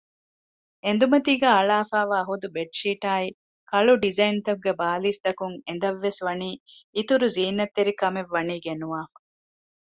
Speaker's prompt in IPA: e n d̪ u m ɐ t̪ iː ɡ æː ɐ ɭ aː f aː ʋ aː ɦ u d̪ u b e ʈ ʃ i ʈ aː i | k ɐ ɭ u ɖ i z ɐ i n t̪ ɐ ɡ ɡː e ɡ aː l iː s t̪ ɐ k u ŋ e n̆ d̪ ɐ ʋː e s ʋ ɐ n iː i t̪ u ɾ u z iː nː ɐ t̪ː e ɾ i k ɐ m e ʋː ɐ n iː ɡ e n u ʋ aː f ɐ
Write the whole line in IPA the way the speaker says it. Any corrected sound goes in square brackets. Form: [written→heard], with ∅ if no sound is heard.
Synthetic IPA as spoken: e n d̪ u m ɐ t̪ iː ɡ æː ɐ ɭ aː f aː ʋ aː ɦ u d̪ u b e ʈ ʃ [i→iː] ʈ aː i | k ɐ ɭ u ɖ i z ɐ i n t̪ ɐ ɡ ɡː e [ɡ→b] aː l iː s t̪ ɐ k u ŋ e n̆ d̪ ɐ ʋː e s ʋ ɐ n iː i t̪ u ɾ u z iː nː ɐ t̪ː e ɾ i k ɐ m e ʋː ɐ n iː ɡ e n u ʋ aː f ɐ